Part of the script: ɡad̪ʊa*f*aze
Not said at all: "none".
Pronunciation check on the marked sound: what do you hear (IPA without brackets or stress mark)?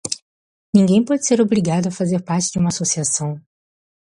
f